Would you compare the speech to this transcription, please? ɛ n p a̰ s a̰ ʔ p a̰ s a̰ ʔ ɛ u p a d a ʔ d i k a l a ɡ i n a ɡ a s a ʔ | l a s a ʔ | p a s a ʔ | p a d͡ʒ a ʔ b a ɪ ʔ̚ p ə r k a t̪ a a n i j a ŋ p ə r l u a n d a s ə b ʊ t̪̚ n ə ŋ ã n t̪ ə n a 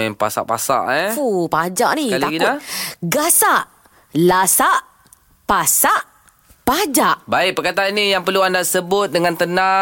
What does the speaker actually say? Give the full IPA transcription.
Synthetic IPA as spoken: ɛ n p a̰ s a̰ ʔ p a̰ s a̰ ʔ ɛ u p a d͡ʒ a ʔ n i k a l a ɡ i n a ɡ a s a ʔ | l a s a ʔ | p a s a ʔ | p a d͡ʒ a ʔ b a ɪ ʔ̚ p ə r k a t̪ a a n i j a ŋ p ə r l u a n d a s ə b ʊ t̪̚ d ə ŋ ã n t̪ ə n a